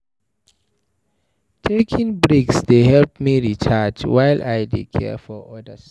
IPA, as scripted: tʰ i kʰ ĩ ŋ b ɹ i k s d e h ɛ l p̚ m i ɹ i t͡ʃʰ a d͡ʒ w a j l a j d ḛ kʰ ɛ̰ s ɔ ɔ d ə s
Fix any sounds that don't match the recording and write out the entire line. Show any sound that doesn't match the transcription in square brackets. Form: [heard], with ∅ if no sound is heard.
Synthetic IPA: tʰ [e] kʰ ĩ ŋ b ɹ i k s d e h ɛ l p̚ m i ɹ i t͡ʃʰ a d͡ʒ w a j l a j d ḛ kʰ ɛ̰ [f] ɔ ɔ d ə s